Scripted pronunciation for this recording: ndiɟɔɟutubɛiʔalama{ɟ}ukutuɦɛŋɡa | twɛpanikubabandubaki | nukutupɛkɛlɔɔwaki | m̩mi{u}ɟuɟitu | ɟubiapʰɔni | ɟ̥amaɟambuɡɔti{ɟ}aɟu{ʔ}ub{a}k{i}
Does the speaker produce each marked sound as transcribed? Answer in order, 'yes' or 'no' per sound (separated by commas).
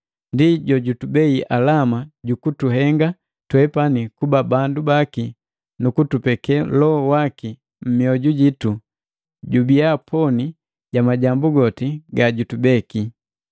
yes, no, no, no, no, yes